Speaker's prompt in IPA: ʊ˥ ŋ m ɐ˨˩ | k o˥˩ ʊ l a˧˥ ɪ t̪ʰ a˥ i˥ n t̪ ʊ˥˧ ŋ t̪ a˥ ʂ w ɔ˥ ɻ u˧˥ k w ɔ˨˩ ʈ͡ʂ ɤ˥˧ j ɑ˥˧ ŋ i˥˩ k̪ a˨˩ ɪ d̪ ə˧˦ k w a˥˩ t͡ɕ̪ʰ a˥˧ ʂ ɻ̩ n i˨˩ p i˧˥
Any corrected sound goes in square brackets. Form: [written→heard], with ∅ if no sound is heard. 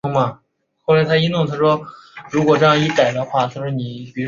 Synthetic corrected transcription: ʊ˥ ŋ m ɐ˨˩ | [k→x] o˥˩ ʊ l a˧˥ ɪ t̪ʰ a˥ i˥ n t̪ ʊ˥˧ ŋ [t̪→t̪ʰ] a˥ ʂ w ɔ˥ ɻ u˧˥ k w ɔ˨˩ ʈ͡ʂ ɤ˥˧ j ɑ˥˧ ŋ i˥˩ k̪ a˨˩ ɪ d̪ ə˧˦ [k→x] w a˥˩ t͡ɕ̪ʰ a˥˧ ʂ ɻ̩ n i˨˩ p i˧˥